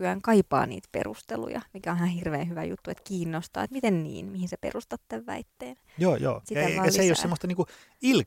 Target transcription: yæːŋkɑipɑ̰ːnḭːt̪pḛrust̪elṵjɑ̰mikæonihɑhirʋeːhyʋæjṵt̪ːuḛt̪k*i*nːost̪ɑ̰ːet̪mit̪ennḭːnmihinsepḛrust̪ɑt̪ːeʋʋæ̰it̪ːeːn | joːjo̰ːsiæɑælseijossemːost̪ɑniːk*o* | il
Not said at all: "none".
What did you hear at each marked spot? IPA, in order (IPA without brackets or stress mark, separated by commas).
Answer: iː, u